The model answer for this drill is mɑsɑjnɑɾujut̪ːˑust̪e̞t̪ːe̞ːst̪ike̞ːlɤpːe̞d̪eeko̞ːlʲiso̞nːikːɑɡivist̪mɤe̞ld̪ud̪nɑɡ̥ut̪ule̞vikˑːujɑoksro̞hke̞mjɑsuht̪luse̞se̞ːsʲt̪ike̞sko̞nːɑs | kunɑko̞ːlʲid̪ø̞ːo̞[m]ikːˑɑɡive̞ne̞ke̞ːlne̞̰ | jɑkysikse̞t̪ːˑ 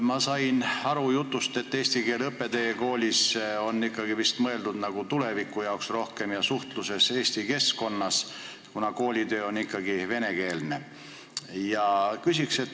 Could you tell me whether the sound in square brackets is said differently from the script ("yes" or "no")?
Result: yes